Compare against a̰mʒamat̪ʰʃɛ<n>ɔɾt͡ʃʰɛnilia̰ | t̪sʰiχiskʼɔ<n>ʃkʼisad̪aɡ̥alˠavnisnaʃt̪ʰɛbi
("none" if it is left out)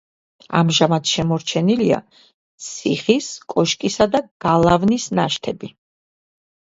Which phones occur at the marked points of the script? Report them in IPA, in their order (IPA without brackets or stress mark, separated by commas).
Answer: m, none